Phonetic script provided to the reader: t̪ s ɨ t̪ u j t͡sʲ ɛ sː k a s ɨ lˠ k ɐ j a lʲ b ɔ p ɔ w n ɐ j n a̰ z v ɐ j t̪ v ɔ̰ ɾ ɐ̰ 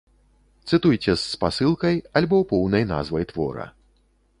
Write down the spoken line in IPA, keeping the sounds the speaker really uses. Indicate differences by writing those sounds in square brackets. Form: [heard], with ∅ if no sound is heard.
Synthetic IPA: t̪ s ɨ t̪ u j t͡sʲ ɛ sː [p] a s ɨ lˠ k ɐ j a lʲ b ɔ p ɔ w n ɐ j n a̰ z v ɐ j t̪ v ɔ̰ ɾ ɐ̰